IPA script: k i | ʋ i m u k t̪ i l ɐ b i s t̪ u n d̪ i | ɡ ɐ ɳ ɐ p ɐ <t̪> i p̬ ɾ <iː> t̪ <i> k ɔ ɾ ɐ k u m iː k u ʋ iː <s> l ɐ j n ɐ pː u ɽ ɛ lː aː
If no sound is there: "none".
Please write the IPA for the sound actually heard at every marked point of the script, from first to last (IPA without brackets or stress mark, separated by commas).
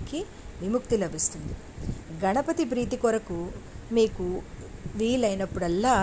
t̪, iː, i, none